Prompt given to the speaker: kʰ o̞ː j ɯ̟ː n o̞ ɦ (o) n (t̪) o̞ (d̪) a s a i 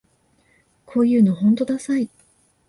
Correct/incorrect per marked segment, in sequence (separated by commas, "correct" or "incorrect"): incorrect, correct, correct